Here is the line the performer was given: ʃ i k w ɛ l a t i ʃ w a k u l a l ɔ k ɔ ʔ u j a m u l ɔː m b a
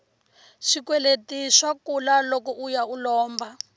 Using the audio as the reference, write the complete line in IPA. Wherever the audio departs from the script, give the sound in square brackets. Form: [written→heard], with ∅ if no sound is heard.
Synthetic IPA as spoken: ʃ i k w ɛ l [a→e] t i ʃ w a k u l a l ɔ k ɔ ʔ u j a [m→∅] u l ɔː m b a